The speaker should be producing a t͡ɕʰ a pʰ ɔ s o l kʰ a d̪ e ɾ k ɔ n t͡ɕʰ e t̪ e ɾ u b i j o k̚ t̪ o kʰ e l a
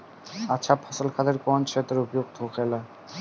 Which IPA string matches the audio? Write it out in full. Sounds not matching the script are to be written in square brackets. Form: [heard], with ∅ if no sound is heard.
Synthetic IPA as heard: a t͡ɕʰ a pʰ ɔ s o l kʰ a d̪ e ɾ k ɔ n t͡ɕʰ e t̪ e ɾ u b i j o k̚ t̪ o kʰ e l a

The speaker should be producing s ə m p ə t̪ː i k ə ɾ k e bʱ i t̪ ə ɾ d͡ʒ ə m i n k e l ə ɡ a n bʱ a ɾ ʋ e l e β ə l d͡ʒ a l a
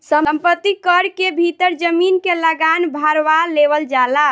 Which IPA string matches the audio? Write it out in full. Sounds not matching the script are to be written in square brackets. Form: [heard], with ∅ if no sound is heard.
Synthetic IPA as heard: s ə m p ə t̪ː i k ə ɾ k e bʱ i t̪ ə ɾ d͡ʒ ə m i n k e l ə ɡ a n bʱ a ɾ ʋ [a] l e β ə l d͡ʒ a l a

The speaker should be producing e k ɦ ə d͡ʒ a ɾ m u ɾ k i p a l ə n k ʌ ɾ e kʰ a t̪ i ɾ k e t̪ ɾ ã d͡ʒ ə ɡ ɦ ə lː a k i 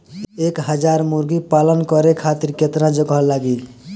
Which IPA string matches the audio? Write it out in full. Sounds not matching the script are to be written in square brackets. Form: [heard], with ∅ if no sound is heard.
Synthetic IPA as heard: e k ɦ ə d͡ʒ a ɾ m u ɾ [ɡ] i p a l ə n k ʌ ɾ e kʰ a t̪ i ɾ k e t̪ ɾ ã d͡ʒ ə ɡ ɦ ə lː a [ɡ] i

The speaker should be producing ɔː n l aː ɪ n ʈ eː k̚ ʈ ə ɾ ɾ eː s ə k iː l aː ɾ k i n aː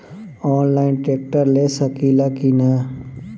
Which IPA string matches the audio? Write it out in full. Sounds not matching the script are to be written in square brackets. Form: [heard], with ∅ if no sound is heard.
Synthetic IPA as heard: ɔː n l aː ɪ n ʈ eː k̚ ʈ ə ɾ [l] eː s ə k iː l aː [∅] k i n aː

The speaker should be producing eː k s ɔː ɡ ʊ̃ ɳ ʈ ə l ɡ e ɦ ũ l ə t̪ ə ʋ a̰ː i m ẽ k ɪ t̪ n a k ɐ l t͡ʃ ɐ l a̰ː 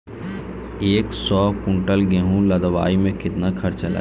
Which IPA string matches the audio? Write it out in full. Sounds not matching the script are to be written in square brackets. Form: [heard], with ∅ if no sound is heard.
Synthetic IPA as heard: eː k s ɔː [k] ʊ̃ ɳ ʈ ə l ɡ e ɦ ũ l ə [d̪] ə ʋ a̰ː i m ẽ k ɪ t̪ n a [kʰ] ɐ [ɾ] t͡ʃ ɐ l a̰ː

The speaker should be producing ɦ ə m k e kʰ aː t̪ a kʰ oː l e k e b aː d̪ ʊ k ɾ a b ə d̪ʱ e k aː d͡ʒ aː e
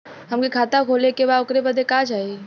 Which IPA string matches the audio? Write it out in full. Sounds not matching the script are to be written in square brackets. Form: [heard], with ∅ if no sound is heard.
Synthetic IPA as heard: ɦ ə m k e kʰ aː t̪ a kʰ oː l e k e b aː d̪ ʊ k ɾ [e] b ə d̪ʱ e k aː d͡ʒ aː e

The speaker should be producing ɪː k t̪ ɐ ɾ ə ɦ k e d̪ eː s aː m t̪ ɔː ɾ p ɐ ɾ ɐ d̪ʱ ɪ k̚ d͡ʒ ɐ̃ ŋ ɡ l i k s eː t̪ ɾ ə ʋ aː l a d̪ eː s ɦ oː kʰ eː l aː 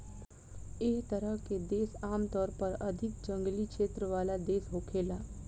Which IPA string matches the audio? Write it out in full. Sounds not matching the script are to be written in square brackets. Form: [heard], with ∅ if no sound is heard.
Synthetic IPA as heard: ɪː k t̪ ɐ ɾ ə ɦ k e d̪ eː s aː m t̪ ɔː ɾ p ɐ ɾ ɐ d̪ʱ ɪ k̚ d͡ʒ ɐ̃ ŋ ɡ l i k [ʃ] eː t̪ ɾ ə ʋ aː l a d̪ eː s ɦ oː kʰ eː l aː

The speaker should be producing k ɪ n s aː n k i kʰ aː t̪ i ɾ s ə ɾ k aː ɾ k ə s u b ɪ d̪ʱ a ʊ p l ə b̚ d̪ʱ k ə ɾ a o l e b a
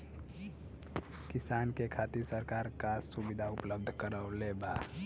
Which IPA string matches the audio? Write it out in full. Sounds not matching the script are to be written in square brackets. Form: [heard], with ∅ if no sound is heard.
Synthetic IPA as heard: k ɪ [∅] s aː n k [e] kʰ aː t̪ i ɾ s ə ɾ k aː ɾ k [a] s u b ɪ d̪ʱ a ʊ p l ə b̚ d̪ʱ k ə ɾ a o l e b a

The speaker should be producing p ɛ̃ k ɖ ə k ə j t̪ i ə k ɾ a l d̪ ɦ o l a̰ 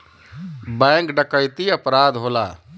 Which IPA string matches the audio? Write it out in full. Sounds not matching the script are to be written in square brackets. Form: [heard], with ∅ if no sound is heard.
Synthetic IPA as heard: [b] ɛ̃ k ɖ ə k ə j t̪ i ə [p] ɾ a [∅] d̪ ɦ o l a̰

